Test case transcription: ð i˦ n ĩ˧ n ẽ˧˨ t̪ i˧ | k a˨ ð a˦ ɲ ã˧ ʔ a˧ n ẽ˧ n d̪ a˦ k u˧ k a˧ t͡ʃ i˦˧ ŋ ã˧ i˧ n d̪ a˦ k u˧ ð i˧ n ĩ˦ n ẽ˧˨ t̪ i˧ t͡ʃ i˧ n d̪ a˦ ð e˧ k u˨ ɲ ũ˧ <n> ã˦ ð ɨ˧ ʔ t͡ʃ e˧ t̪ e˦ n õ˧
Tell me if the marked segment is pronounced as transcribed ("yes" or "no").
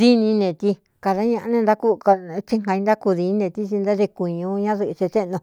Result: no